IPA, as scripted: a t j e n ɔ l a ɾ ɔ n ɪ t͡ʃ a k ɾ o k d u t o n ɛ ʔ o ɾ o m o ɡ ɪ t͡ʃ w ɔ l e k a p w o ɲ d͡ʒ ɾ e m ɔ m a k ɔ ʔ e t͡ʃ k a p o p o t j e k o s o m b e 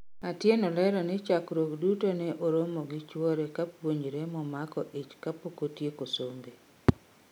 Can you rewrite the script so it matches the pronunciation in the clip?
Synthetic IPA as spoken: a t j e n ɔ l ɛ ɾ ɔ n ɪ t͡ʃ a k ɾ o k d u t o n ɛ ʔ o ɾ o m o ɡ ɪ t͡ʃ w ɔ ɾ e k a p w o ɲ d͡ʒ ɾ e m ɔ m a k ɔ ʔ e t͡ʃ k a p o k o t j e k o s o m b e

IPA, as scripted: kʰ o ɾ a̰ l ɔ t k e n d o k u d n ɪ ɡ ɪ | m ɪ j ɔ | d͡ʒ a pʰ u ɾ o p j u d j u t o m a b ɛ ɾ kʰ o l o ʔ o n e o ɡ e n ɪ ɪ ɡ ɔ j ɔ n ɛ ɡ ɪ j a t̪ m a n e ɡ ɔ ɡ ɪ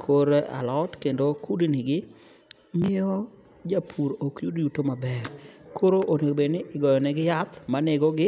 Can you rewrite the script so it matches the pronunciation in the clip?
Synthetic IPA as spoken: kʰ o ɾ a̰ l ɔ t k e n d o k u d n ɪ ɡ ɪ | m ɪ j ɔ | d͡ʒ a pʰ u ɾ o k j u d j u t o m a b ɛ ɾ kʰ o ɾ o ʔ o n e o b e n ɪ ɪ ɡ ɔ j ɔ n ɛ ɡ ɪ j a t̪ m a n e ɡ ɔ ɡ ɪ

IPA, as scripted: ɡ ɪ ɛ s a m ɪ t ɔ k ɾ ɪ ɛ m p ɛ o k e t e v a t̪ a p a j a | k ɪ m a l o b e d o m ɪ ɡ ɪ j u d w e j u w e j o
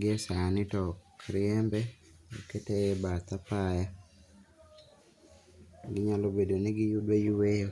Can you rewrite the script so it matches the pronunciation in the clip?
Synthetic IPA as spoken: ɡ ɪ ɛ s a n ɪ t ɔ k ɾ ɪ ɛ m b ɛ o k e t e b a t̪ a p a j a | ɡ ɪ ɲ a l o b e d o n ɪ ɡ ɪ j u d w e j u w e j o

